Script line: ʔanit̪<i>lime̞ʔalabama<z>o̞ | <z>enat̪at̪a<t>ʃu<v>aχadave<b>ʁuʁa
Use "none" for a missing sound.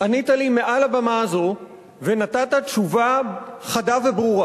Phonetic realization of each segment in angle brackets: a, z, v, t, v, b

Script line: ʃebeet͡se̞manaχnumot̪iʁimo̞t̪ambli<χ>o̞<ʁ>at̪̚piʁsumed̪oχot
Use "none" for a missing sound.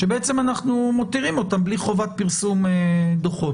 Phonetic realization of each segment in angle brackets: χ, v

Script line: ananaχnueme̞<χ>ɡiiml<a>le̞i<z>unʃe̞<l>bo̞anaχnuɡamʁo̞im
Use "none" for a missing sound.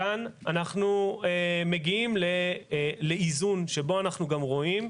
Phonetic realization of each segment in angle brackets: none, e, z, none

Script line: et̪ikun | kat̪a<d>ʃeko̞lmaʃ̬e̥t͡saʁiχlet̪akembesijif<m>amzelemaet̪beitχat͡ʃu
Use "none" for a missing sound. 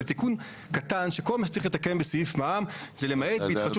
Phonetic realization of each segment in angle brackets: n, m

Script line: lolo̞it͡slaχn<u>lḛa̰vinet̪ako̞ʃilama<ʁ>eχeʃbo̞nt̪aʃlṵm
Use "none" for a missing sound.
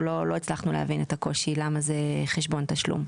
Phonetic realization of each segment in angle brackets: u, z

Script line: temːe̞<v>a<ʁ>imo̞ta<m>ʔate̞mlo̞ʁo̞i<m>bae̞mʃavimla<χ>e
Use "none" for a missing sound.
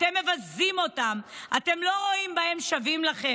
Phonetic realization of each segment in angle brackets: v, z, m, m, χ

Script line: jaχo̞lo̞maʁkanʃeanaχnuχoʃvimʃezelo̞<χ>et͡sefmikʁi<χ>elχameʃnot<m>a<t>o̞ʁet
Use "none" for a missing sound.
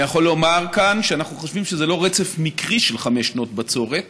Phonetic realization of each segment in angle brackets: ʁ, ʃ, b, t͡s

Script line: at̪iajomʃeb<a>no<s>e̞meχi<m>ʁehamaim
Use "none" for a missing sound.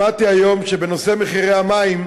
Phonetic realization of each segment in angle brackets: e, s, none

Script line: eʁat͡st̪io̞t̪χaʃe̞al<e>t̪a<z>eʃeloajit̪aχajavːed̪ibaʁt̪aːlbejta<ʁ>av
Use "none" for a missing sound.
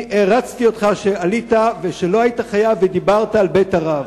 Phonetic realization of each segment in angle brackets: i, v, ʁ

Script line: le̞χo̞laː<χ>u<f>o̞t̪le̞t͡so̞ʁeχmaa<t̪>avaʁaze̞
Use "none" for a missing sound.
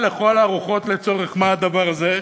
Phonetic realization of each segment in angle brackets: ʁ, χ, d̪

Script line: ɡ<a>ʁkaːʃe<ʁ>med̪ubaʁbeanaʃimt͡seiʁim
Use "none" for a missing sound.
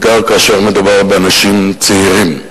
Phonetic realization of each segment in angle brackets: a, ʁ

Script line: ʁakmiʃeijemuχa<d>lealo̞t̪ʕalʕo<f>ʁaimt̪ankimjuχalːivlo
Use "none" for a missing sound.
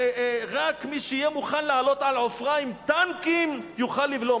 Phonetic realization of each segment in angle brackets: n, f

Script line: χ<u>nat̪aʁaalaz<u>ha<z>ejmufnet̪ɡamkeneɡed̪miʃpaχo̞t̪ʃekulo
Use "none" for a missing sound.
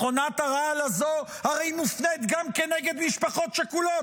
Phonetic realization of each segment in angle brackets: o, o, ʁ

